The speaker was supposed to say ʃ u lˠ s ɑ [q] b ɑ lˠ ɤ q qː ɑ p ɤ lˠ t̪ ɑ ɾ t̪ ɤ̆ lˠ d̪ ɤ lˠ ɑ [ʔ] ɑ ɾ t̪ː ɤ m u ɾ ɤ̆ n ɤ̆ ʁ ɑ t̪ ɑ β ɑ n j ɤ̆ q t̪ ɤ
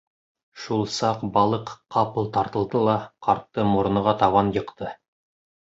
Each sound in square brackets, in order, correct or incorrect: correct, incorrect: q

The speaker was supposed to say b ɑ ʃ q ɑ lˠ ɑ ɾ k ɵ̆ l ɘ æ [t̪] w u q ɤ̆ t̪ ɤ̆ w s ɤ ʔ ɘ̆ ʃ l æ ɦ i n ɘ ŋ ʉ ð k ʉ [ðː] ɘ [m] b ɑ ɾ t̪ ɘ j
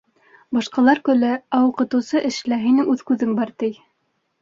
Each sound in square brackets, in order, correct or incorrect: incorrect: none, incorrect: ð, incorrect: ŋ

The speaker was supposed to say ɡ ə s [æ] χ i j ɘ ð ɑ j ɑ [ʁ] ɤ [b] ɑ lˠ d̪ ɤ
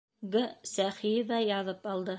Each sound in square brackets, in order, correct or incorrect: correct, incorrect: ð, incorrect: p

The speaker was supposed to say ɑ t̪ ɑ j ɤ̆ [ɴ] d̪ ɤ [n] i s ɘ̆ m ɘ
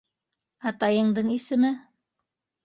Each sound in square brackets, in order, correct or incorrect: correct, incorrect: ɴ

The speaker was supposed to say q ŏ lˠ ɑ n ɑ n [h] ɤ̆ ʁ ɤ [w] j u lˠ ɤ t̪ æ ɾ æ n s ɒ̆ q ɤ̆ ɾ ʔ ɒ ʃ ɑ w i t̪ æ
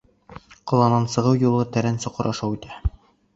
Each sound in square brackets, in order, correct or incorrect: incorrect: s, correct

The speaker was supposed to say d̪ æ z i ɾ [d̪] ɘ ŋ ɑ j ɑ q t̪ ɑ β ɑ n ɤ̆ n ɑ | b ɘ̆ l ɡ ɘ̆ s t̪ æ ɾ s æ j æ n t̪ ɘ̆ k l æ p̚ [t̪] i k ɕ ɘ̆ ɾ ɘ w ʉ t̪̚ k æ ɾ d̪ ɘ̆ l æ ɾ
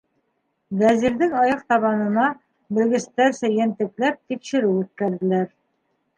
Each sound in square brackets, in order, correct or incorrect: correct, correct

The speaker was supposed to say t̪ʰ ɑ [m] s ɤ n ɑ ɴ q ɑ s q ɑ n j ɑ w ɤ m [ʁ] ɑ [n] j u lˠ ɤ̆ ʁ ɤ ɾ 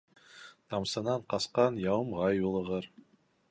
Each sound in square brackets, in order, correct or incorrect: correct, correct, incorrect: none

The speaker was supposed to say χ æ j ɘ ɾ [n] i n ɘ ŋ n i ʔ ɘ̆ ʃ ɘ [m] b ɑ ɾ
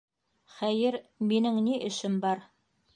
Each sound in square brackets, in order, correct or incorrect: incorrect: m, correct

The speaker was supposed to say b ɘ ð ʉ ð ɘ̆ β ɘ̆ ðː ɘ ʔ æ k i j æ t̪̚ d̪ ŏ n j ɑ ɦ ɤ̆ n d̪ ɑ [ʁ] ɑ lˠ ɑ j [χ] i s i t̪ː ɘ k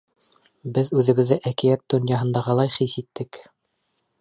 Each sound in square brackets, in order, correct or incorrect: correct, correct

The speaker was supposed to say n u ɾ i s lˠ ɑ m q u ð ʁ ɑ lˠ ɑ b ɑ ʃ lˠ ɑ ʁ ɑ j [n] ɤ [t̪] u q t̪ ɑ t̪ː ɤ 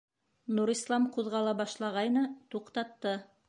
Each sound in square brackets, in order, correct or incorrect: correct, correct

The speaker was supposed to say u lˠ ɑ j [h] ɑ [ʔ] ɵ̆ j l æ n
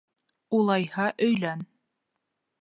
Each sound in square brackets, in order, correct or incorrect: correct, correct

